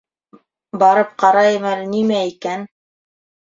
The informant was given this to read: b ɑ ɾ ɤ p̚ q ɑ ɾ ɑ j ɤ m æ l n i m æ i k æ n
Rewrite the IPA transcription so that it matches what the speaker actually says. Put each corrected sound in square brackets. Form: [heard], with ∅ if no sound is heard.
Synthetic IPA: b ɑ ɾ ɤ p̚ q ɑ ɾ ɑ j ɤ m æ l n i m æ i k æ n

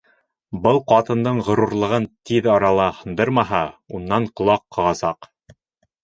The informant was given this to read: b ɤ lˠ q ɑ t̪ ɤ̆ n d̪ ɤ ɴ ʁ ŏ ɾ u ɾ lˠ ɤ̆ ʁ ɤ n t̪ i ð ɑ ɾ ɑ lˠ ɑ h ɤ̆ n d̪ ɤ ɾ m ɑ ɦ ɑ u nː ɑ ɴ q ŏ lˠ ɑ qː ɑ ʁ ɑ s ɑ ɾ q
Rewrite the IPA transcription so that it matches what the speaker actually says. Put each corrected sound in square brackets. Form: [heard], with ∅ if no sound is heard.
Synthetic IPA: b ɤ lˠ q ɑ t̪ ɤ̆ n d̪ ɤ ɴ ʁ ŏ ɾ u ɾ lˠ ɤ̆ ʁ ɤ n t̪ i ð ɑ ɾ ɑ lˠ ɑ h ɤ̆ n d̪ ɤ ɾ m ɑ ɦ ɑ u nː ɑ ɴ q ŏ lˠ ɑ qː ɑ ʁ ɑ s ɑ [∅] q

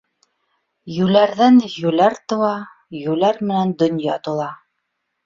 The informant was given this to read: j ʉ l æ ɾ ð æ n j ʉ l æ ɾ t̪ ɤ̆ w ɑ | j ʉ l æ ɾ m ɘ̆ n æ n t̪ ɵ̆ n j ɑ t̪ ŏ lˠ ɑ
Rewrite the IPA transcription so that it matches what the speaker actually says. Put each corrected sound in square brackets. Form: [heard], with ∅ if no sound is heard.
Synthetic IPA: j ʉ l æ ɾ ð æ n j ʉ l æ ɾ t̪ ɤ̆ w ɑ | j ʉ l æ ɾ m ɘ̆ n æ n [d̪] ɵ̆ n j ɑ t̪ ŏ lˠ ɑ

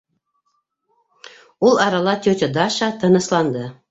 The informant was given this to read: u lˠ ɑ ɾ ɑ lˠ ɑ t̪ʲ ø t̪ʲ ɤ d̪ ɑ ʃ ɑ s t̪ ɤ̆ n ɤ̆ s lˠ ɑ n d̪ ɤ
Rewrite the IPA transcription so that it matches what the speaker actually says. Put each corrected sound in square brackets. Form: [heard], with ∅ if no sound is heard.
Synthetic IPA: u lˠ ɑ ɾ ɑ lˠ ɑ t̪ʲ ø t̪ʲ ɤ d̪ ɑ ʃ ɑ [∅] t̪ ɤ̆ n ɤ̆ s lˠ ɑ n d̪ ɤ

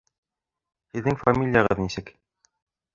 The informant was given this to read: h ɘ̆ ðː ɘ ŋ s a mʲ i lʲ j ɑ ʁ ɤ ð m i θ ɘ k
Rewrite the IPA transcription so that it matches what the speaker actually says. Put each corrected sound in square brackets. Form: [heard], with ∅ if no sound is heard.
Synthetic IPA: h ɘ̆ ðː ɘ ŋ [f] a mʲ i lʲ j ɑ ʁ ɤ ð [n] i [s] ɘ k

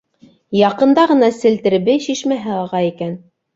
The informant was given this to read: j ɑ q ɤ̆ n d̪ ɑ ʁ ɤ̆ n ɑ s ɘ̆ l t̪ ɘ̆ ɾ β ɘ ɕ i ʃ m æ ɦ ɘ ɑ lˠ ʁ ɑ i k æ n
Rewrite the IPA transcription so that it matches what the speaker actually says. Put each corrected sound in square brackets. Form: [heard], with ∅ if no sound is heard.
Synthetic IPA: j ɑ q ɤ̆ n d̪ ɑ ʁ ɤ̆ n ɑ s ɘ̆ l t̪ ɘ̆ ɾ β ɘ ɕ i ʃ m æ ɦ ɘ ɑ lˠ ʁ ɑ i k æ n

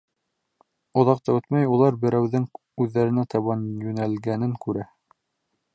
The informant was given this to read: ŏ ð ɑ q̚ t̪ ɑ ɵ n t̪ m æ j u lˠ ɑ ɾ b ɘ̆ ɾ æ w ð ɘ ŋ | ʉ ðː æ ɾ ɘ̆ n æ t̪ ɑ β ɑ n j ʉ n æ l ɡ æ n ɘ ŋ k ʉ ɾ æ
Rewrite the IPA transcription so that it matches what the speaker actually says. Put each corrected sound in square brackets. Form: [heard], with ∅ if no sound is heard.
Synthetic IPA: ŏ ð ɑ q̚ t̪ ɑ ɵ [∅] t̪ m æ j u lˠ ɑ ɾ b ɘ̆ ɾ æ w ð ɘ ŋ | ʉ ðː æ ɾ ɘ̆ n æ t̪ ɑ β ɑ n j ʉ n æ l ɡ æ n ɘ ŋ k ʉ ɾ æ

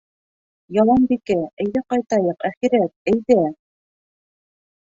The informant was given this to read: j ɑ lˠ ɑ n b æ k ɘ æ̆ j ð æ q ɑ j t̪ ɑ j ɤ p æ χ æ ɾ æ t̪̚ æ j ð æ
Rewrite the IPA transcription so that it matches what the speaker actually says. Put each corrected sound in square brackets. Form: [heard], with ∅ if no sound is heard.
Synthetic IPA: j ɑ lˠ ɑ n b [i] k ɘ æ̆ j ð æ q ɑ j t̪ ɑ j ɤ [q] æ χ [i] ɾ æ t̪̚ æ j ð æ

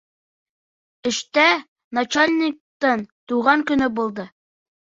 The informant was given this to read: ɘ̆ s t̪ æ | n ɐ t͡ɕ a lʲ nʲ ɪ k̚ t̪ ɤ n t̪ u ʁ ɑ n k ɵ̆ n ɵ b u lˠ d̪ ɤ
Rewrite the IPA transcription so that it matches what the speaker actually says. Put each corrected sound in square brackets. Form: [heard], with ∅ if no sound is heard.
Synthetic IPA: ɘ̆ [ʃ] t̪ æ | n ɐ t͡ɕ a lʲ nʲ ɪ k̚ t̪ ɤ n t̪ u ʁ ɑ [ŋ] k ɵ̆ n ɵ b u lˠ d̪ ɤ

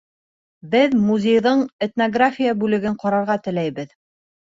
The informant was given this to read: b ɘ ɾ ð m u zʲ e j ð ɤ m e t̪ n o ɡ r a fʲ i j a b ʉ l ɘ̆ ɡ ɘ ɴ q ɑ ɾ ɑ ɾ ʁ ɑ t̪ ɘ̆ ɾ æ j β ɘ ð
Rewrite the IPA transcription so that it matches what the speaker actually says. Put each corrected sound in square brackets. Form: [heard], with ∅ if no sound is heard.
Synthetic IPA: b ɘ [∅] ð m u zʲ e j ð ɤ [ɴ] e t̪ n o ɡ r a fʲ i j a b ʉ l ɘ̆ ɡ ɘ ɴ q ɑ ɾ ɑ ɾ ʁ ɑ t̪ ɘ̆ [l] æ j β ɘ ð

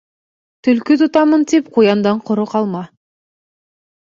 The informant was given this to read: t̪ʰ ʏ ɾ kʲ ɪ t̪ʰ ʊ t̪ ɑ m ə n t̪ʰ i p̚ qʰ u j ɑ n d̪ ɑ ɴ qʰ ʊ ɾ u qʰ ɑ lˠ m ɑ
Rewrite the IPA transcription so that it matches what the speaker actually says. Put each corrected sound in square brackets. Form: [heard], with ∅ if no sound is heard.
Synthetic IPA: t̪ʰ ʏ [l] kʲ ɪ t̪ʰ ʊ t̪ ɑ m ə n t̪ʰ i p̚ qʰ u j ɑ n d̪ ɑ ɴ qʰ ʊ ɾ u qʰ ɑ lˠ m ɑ

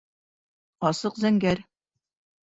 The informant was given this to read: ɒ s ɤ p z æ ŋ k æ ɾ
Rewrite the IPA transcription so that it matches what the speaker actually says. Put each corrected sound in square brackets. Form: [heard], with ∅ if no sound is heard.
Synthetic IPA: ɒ s ɤ [q] z æ ŋ [ɡ] æ ɾ

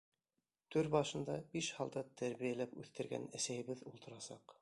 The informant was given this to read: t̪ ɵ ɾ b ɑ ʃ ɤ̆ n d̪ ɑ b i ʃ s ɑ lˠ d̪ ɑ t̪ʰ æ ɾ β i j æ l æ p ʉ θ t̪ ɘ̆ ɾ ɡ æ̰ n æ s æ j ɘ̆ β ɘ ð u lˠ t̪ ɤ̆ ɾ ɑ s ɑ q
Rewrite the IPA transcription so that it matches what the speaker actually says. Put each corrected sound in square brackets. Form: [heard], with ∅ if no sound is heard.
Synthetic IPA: t̪ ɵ ɾ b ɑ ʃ ɤ̆ n d̪ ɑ b i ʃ [h] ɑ lˠ d̪ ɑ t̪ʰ æ ɾ β i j æ l æ p ʉ θ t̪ ɘ̆ ɾ ɡ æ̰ n æ s æ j ɘ̆ β ɘ ð u lˠ t̪ ɤ̆ ɾ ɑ s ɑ q

